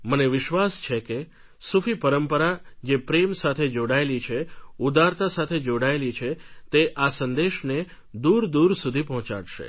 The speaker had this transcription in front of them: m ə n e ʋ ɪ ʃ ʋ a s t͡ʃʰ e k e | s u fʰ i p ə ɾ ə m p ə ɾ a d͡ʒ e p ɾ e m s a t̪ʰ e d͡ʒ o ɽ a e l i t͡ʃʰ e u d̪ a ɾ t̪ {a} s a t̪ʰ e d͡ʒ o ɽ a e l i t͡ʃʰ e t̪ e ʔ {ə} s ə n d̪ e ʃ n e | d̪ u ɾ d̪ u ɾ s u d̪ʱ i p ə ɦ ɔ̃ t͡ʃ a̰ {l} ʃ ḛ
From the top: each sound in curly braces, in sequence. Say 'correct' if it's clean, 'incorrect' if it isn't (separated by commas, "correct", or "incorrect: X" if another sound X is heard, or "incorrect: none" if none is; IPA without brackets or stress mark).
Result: correct, incorrect: a, incorrect: ɽ